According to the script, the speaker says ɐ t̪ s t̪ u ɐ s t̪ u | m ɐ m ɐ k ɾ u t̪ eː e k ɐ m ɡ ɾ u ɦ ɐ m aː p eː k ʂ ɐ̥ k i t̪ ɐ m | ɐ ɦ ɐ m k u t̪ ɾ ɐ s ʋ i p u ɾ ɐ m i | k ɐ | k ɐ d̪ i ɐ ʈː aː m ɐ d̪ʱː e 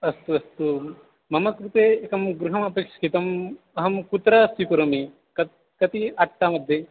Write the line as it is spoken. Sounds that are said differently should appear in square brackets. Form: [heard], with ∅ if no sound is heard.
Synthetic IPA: ɐ [∅] s t̪ u ɐ s t̪ u | m ɐ m ɐ k ɾ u t̪ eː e k ɐ m ɡ ɾ u ɦ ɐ m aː p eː k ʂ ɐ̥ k i t̪ ɐ m | ɐ ɦ ɐ m k u t̪ ɾ ɐ s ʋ i p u ɾ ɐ m i | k ɐ | k ɐ [t̪] i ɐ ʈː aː m ɐ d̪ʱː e